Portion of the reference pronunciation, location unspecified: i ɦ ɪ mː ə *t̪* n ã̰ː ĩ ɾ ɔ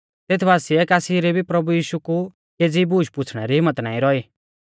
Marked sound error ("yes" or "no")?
no